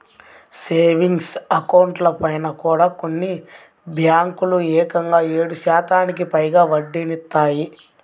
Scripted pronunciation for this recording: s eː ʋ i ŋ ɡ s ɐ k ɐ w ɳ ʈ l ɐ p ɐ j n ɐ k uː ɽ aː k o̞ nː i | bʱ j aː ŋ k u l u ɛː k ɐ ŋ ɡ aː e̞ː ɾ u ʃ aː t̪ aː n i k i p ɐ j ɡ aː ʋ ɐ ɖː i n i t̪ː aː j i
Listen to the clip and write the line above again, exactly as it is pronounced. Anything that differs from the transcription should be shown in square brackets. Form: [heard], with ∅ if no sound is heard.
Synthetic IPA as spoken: s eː ʋ i ŋ ɡ s ɐ k ɐ w ɳ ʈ l ɐ p ɐ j n ɐ k uː ɽ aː k o̞ nː i | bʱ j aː ŋ k u l u ɛː k ɐ ŋ ɡ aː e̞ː [ɽ] u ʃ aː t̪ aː n i k i p ɐ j ɡ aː ʋ ɐ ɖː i n i t̪ː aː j i

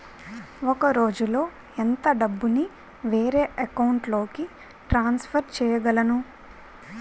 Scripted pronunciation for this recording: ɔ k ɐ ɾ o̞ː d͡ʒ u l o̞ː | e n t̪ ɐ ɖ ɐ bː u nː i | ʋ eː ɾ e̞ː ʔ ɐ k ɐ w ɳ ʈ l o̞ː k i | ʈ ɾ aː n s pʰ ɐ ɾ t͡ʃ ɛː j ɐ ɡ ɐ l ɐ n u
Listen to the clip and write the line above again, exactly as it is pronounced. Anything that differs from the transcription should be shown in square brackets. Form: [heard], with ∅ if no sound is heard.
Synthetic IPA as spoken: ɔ k ɐ ɾ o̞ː d͡ʒ u l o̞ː | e n t̪ ɐ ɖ ɐ bː u [n] i | ʋ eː ɾ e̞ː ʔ ɐ k ɐ w ɳ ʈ l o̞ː k i | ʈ ɾ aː n s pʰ ɐ ɾ t͡ʃ ɛː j ɐ ɡ ɐ l ɐ n u

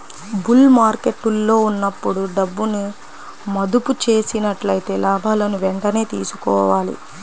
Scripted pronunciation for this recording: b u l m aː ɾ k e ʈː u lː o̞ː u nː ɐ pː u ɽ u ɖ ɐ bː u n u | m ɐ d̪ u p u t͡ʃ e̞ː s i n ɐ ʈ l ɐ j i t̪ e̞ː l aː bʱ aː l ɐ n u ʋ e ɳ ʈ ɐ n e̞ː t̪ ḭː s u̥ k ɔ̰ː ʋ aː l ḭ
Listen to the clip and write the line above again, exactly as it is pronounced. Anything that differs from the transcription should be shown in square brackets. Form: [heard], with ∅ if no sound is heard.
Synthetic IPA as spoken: b u l m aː ɾ k e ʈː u lː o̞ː u nː ɐ pː u ɽ u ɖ ɐ bː u n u | m ɐ d̪ u p u t͡ʃ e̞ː s i n ɐ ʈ l ɐ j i t̪ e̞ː l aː bʱ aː l ɐ n u ʋ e ɳ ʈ ɐ n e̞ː t̪ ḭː s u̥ k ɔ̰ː ʋ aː l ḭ

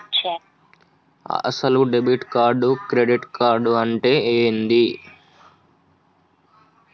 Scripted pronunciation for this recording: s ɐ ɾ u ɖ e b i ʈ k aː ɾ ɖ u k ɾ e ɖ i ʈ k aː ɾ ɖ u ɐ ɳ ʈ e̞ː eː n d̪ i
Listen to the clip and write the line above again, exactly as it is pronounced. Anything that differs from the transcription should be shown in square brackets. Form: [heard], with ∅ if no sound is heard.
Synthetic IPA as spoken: s ɐ [l] u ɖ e b i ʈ k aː ɾ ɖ u k ɾ e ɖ i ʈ k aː ɾ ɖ u ɐ ɳ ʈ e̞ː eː n d̪ i

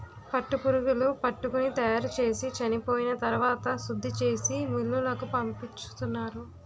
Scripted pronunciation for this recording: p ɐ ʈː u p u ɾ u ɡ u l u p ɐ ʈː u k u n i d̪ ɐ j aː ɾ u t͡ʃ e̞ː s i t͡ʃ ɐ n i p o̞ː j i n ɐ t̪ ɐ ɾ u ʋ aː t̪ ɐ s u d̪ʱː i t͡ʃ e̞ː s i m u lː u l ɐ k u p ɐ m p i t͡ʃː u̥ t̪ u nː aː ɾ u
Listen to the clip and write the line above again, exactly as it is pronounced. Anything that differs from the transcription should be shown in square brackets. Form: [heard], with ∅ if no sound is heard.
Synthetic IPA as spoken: p ɐ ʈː u p u ɾ u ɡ u l u p ɐ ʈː u k u n i [t̪] ɐ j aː ɾ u t͡ʃ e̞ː s i t͡ʃ ɐ n i p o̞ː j i n ɐ t̪ ɐ ɾ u ʋ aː t̪ ɐ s u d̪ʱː i t͡ʃ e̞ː s i m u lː u l ɐ k u p ɐ m p i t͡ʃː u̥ t̪ u nː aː ɾ u

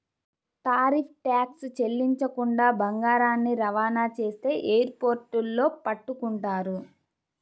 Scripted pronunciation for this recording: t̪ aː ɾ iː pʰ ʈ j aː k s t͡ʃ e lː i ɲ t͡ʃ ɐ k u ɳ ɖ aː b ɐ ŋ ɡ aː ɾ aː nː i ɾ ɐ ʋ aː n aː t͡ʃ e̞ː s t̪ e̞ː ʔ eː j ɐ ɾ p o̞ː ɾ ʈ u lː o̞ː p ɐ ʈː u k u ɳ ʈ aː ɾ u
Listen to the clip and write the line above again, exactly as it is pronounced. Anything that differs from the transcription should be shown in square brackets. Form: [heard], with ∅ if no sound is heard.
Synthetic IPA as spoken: t̪ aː ɾ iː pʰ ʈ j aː k s t͡ʃ e lː i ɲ t͡ʃ ɐ k u ɳ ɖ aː b ɐ ŋ ɡ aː ɾ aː nː i ɾ ɐ ʋ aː n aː t͡ʃ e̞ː s t̪ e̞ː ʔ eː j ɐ ɾ p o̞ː ɾ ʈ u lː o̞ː p ɐ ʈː u k u ɳ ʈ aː ɾ u

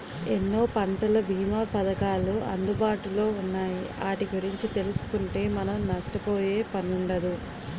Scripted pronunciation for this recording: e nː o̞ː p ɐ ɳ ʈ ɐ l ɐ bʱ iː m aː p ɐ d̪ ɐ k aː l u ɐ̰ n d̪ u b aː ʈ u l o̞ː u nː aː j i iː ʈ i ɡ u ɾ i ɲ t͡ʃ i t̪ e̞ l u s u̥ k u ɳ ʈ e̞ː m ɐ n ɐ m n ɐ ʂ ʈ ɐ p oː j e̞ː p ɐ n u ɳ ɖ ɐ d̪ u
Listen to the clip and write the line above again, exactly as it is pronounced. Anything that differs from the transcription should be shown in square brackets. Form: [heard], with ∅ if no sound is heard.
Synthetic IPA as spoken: e nː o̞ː p ɐ ɳ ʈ ɐ l ɐ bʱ iː m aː p ɐ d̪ ɐ k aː l u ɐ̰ n d̪ u b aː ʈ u l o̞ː u nː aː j i [aː] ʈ i ɡ u ɾ i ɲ t͡ʃ i t̪ e̞ l u s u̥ k u ɳ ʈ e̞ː m ɐ n ɐ m n ɐ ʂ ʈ ɐ p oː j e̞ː p ɐ n u ɳ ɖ ɐ d̪ u

